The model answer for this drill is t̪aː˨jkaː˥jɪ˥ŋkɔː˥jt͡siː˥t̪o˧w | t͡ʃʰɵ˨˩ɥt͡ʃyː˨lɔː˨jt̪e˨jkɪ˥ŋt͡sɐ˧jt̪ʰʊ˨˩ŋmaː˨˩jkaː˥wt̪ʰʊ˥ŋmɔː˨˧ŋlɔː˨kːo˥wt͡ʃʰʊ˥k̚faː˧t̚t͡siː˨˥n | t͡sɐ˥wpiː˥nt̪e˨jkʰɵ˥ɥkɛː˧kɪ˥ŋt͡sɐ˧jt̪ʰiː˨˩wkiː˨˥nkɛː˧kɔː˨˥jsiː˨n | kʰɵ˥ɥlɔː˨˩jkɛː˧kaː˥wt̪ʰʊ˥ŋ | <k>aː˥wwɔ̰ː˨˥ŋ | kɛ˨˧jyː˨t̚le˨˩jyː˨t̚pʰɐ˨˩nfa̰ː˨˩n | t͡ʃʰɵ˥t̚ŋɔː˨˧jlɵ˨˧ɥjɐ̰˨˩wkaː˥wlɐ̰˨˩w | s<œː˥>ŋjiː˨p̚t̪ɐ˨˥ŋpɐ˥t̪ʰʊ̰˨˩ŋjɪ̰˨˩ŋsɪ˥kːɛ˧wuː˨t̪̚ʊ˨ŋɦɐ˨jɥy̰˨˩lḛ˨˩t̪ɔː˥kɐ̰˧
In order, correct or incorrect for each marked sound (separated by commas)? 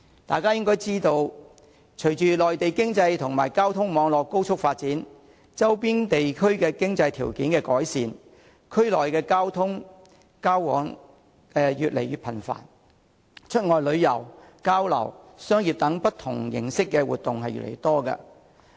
correct, correct